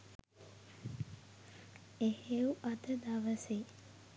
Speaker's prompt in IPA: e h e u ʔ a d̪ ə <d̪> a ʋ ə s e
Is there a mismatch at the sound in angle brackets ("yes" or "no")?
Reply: no